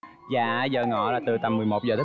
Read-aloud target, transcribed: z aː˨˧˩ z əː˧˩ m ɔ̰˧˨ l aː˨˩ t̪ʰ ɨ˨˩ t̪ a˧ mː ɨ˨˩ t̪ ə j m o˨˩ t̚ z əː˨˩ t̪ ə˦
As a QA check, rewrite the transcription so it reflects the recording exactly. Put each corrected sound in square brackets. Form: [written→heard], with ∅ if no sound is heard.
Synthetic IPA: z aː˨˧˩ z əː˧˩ [m→ŋ] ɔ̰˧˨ l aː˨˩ [t̪ʰ→t̪] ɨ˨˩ t̪ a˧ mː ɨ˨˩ [t̪→∅] ə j m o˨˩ t̚ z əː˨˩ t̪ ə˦